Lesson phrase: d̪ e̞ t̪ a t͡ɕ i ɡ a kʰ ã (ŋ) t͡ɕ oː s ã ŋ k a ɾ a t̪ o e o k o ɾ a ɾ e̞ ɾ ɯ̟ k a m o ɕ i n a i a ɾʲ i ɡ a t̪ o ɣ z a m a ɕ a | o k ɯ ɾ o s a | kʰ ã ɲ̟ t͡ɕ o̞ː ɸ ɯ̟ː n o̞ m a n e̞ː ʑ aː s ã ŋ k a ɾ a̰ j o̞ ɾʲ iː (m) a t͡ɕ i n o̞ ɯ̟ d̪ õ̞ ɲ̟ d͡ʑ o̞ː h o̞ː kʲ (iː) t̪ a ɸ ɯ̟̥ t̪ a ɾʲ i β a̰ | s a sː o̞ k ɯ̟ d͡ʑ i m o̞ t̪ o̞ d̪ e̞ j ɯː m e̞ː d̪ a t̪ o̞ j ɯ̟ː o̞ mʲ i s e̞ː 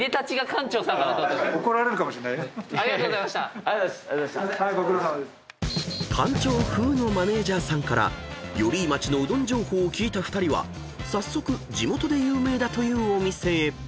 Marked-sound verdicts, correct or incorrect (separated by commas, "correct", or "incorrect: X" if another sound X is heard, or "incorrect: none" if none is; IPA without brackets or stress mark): incorrect: ɲ, correct, correct